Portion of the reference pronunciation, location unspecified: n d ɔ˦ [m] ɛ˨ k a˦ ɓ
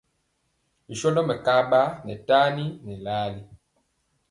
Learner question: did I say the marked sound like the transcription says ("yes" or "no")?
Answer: yes